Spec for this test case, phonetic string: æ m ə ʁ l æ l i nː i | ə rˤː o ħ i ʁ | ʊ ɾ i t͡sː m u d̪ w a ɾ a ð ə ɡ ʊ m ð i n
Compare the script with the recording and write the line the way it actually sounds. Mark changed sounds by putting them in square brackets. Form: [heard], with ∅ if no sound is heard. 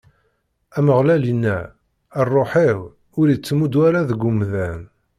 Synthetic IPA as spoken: æ m ə ʁ l æ l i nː [æ] | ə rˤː o ħ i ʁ | ʊ ɾ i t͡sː m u d̪ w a ɾ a ð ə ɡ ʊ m ð [æ] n